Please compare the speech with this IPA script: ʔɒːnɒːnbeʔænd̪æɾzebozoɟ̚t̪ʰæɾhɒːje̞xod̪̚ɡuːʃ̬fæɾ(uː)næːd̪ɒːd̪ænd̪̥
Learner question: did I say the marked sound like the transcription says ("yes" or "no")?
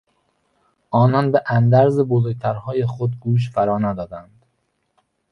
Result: no